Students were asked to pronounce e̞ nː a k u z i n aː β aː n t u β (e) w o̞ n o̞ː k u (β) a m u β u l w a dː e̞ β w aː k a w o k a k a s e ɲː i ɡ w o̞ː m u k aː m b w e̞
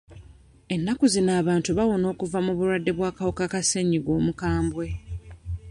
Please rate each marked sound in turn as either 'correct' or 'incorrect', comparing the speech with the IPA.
incorrect: a, incorrect: v

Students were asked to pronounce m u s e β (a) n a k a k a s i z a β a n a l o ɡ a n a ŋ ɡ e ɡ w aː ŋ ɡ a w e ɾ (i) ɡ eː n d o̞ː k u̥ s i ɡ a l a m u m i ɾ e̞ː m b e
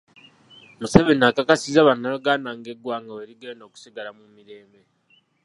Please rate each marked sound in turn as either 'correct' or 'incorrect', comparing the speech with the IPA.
incorrect: e, correct

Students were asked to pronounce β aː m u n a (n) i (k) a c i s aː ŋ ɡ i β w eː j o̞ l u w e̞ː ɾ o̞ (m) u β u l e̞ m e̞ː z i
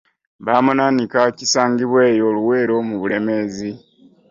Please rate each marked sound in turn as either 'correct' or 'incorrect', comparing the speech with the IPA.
correct, correct, correct

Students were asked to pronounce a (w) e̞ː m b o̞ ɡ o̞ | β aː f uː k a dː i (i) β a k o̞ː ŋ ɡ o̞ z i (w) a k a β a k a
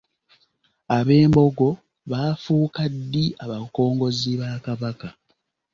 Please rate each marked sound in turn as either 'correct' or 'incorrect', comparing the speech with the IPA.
incorrect: β, incorrect: a, incorrect: β

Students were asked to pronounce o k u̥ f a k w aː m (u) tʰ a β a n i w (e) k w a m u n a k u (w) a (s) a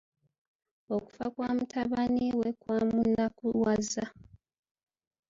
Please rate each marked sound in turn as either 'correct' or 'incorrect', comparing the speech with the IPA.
correct, correct, correct, incorrect: z

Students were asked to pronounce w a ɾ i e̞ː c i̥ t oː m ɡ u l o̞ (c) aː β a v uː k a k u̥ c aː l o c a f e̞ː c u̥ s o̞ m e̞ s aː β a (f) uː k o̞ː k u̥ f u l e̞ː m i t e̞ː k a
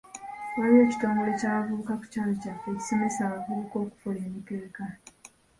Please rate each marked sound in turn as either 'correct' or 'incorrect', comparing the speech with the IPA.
correct, incorrect: v

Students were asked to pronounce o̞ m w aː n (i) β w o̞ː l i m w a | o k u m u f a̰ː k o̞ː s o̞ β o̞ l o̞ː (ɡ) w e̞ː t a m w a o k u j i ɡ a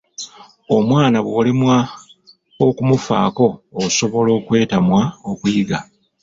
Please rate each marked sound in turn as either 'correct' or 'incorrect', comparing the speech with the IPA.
incorrect: a, incorrect: k

